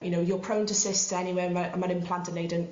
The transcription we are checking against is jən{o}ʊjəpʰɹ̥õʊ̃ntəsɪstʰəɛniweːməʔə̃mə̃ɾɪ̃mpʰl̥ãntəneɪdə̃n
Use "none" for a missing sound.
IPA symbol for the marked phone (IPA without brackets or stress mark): o